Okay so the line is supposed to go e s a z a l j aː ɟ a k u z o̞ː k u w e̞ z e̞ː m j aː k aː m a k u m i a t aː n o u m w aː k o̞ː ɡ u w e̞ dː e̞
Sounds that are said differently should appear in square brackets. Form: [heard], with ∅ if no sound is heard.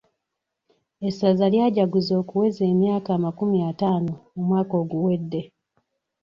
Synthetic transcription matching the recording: e s a z a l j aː ɟ a [ɡ] u z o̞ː k u w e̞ z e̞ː m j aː k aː m a k u m i a t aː n o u m w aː k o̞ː ɡ u w e̞ dː e̞